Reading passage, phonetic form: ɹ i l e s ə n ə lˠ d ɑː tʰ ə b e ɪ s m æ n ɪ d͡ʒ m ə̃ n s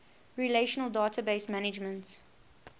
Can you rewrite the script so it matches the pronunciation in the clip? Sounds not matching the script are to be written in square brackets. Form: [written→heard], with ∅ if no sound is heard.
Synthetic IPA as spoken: ɹ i l e [s→ʃ] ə n ə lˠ d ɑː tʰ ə b e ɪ s m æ n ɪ d͡ʒ m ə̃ n [s→t]